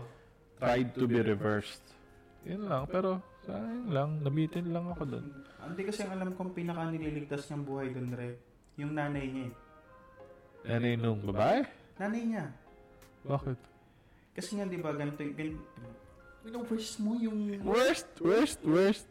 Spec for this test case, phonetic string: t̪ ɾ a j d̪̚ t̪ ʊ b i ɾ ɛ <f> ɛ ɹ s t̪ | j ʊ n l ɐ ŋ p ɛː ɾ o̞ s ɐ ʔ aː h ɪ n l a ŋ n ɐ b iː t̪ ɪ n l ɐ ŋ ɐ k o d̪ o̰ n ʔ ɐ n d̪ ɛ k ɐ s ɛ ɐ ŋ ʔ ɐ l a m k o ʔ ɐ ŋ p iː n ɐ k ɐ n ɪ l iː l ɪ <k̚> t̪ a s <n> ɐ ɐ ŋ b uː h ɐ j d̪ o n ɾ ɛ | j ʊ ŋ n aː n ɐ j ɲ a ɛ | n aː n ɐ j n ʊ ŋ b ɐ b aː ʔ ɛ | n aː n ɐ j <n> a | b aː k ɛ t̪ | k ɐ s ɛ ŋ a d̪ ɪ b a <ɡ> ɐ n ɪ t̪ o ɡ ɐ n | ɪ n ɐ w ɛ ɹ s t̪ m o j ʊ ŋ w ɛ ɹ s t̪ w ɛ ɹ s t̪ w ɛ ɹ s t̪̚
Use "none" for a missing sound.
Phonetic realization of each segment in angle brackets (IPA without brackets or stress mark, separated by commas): v, ɡ̚, ɲ, ɲ, ɡ